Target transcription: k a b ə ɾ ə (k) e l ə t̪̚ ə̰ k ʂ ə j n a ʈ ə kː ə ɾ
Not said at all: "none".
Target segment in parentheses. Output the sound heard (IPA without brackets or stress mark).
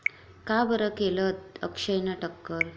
k